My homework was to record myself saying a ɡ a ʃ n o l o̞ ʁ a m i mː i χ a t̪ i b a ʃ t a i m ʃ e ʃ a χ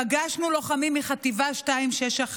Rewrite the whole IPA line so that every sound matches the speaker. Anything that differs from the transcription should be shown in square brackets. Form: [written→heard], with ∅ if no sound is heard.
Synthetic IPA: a ɡ a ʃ n [o→u] l o̞ [ʁ→χ] a m i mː i χ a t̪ i [b→v] a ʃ t a i m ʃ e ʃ a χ

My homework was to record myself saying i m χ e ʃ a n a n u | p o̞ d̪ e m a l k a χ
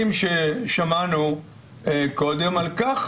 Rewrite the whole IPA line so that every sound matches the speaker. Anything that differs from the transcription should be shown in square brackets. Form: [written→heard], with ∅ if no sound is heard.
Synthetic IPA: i m [χ→ʃ] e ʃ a [n→m] a n u | [p→k] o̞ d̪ e m a l k a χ

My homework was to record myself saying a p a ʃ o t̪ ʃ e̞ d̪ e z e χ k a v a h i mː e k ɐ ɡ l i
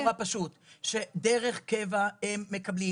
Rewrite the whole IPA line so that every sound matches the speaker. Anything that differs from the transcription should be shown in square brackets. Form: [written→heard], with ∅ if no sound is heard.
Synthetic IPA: a p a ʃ [o→u] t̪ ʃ e̞ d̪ e [z→ʁ] e χ k [a→e] v a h [i→e] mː e k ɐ [ɡ→b] l i

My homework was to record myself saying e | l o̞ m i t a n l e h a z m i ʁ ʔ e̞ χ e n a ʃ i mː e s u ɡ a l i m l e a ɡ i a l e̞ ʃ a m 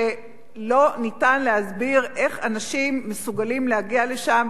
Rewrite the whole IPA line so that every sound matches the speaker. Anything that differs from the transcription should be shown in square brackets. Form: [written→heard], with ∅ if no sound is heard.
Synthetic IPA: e | l o̞ [m→n] i t a n l e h a z [m→b] i ʁ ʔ e̞ χ [e→a] n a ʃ i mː e s u ɡ a l i m l e a ɡ i a l e̞ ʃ a m

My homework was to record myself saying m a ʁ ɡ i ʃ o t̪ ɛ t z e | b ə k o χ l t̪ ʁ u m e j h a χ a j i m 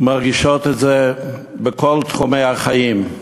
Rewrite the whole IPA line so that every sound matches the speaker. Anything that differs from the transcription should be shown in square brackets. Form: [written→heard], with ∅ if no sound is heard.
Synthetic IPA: m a ʁ ɡ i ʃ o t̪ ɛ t z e | b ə k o [χ→∅] l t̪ [ʁ→χ] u m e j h a χ a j i m

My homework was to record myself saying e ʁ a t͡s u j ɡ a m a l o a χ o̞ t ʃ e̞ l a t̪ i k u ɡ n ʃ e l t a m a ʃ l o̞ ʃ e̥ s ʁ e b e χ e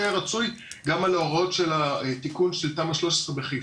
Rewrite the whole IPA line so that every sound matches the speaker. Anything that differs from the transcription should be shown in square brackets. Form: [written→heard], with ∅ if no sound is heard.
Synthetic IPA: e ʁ a t͡s u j ɡ a m a l o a [χ→ʁ] o̞ t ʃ e̞ l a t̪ i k u [ɡ→∅] n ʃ e l t a m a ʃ l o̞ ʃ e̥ s ʁ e b e χ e

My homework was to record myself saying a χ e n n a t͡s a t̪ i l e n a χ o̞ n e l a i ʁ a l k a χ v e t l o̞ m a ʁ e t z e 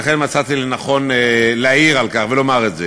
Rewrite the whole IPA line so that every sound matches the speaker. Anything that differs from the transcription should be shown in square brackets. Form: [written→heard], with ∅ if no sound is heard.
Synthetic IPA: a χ e n [n→m] a t͡s a t̪ i l e n a χ o̞ n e l a i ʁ a l k a χ v e [t→∅] l o̞ m a ʁ e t z e

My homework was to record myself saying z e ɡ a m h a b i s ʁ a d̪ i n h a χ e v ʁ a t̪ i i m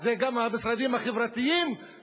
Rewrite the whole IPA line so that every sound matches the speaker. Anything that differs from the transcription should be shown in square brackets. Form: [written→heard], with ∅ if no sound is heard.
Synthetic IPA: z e ɡ a m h a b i s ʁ a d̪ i [n→m] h a χ e v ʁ a t̪ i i m

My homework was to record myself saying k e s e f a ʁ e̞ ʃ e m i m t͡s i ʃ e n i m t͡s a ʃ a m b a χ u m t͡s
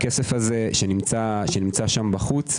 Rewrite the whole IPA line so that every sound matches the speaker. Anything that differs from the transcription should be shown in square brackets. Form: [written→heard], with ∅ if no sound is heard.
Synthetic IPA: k e s e f a [ʁ→z] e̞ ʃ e [m→n] i m t͡s [i→a] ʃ e n i m t͡s a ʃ a m b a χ u [m→∅] t͡s

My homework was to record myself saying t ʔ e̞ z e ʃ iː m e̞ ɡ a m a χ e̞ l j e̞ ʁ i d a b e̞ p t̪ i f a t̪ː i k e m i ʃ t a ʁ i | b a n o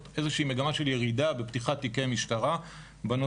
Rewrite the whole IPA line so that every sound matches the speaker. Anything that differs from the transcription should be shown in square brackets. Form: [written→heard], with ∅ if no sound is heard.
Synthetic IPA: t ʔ e̞ z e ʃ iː m e̞ ɡ a m a [χ→ʃ] e̞ l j e̞ ʁ i d a b e̞ p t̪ i [f→χ] a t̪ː i k e m i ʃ t a ʁ [i→a] | b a n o

